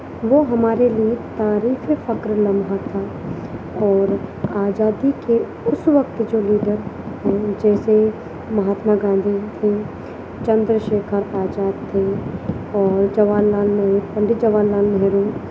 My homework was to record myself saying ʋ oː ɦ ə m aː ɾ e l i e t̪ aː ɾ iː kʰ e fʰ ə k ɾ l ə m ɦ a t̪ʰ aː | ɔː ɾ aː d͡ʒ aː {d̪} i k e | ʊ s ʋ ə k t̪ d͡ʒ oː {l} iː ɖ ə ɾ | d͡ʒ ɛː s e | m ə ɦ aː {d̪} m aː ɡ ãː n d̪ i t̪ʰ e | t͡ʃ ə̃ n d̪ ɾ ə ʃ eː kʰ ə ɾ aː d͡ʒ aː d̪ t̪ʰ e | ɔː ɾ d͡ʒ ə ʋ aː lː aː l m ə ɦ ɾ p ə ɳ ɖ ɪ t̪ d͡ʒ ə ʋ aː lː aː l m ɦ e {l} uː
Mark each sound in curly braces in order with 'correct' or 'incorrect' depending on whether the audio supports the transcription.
correct, correct, incorrect: t̪, incorrect: ɾ

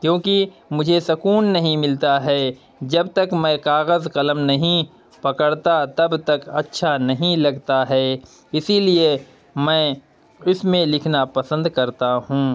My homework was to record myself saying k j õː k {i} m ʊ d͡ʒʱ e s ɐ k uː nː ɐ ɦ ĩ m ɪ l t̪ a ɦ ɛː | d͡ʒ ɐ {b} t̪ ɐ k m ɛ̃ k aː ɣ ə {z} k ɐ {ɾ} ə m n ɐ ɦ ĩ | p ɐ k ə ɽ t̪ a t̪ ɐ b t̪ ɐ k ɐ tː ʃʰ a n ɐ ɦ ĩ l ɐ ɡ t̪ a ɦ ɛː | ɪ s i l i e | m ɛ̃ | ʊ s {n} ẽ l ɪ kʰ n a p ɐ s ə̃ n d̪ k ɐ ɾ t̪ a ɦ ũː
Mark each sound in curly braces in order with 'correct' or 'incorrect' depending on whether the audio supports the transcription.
correct, correct, correct, incorrect: l, incorrect: m

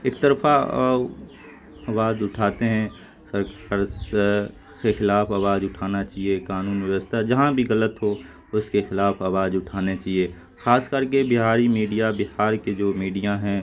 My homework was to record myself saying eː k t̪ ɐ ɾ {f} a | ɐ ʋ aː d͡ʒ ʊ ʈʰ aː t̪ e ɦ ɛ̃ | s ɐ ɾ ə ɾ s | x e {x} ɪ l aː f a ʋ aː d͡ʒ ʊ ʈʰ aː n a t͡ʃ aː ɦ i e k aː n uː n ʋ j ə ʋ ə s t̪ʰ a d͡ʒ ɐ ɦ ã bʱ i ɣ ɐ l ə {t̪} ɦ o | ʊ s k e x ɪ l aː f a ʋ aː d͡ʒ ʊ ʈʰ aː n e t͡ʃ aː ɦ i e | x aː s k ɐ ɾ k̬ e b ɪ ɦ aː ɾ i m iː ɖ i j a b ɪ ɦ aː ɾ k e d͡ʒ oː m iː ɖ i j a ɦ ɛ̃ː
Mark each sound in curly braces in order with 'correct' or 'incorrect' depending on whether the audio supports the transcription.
correct, correct, correct

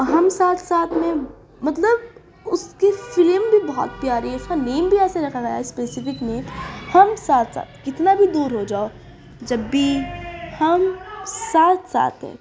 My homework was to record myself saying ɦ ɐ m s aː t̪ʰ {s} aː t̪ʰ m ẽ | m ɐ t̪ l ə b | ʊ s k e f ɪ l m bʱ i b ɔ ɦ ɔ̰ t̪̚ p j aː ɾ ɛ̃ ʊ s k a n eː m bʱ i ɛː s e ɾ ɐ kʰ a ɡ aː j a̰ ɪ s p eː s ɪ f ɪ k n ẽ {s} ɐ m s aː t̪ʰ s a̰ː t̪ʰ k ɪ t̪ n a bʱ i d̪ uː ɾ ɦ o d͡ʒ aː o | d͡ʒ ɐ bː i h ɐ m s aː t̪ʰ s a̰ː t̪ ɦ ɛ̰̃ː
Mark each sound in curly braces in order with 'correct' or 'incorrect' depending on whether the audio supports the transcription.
correct, incorrect: h

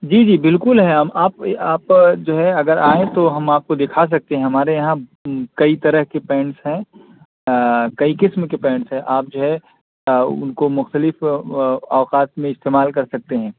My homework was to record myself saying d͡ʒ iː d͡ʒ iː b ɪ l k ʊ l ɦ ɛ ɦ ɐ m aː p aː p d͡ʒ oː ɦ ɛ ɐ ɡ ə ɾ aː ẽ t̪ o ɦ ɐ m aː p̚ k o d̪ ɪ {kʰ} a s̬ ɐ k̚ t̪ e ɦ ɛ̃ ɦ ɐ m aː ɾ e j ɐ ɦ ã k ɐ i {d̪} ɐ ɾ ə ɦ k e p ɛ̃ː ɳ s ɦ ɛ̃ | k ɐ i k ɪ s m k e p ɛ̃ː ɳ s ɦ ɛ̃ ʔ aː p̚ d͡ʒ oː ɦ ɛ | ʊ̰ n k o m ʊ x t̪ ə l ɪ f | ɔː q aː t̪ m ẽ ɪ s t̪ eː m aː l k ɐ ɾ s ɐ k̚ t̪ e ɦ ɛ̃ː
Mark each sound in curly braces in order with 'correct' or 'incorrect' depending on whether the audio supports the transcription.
correct, incorrect: t̪

